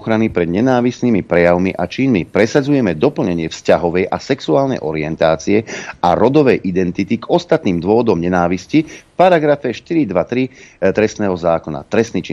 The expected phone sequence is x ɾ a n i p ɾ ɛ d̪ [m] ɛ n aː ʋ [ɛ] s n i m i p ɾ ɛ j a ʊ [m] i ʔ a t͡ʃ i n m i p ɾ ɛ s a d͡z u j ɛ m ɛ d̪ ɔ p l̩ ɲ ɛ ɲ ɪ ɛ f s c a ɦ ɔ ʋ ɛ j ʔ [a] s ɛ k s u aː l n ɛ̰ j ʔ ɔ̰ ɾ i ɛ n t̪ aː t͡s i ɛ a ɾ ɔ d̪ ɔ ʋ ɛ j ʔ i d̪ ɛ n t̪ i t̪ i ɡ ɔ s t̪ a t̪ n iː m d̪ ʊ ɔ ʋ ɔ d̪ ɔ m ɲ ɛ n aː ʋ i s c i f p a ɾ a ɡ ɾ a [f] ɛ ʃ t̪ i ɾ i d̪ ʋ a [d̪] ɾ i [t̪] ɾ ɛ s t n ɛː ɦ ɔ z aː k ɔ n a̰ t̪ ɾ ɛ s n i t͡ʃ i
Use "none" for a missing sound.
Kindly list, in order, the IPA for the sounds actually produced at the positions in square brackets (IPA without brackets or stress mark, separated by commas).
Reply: ɲ, i, m, a, f, t̪, t̪